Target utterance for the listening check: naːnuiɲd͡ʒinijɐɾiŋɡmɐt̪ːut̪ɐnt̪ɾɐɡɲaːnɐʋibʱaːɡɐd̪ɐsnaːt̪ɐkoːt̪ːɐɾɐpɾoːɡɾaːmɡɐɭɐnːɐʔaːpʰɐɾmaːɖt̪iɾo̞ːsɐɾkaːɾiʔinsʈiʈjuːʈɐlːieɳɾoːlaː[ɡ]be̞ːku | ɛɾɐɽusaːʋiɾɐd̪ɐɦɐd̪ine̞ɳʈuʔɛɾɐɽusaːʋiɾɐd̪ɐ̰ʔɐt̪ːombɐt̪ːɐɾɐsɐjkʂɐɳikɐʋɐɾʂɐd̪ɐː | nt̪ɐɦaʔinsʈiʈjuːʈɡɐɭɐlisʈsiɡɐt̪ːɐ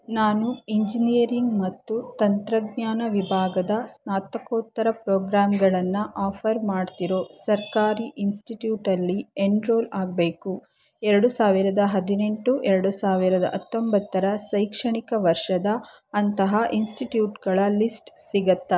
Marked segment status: correct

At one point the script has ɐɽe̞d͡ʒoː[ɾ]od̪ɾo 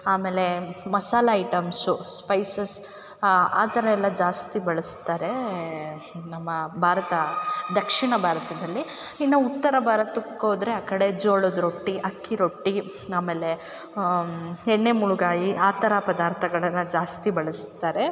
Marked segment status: incorrect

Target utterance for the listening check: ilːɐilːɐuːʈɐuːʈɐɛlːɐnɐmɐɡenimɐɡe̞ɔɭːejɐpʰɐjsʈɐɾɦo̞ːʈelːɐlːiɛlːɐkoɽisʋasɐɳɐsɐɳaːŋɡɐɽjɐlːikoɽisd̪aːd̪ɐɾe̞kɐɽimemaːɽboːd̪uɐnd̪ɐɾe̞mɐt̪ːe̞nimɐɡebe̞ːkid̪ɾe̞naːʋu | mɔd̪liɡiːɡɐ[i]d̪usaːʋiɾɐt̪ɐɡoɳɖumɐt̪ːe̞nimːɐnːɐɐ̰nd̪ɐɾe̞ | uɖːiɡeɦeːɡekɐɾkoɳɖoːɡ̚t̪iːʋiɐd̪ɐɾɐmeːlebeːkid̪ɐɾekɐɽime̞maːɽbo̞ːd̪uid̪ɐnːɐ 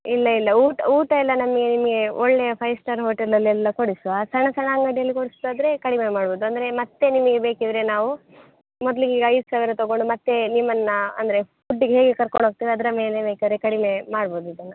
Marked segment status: incorrect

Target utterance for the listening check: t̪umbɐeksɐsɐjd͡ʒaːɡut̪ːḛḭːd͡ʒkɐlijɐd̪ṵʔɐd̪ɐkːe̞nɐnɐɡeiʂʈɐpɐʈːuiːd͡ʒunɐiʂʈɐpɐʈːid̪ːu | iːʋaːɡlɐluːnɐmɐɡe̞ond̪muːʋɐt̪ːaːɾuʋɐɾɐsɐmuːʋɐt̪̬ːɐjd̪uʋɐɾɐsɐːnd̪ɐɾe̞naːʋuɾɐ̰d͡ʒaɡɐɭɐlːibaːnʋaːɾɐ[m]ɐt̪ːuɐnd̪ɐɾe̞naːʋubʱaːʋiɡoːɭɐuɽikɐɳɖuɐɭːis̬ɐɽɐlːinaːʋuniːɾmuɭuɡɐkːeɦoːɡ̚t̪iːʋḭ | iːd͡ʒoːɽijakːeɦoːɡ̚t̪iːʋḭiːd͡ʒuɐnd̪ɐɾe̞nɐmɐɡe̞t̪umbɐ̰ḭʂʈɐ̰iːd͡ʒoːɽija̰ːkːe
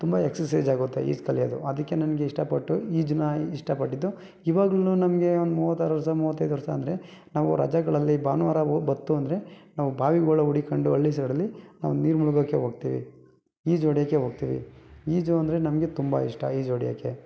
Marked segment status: incorrect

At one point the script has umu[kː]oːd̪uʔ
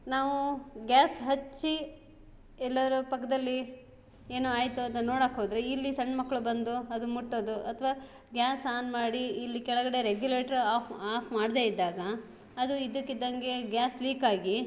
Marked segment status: incorrect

